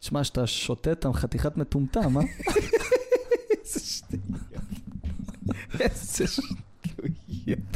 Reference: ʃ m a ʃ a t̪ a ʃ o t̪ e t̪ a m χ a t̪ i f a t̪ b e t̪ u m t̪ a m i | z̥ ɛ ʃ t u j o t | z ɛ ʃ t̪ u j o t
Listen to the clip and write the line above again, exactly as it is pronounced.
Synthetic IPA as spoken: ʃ m a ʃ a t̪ a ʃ o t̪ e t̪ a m χ a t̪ i χ a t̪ m e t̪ u m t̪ a m a | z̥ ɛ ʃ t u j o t | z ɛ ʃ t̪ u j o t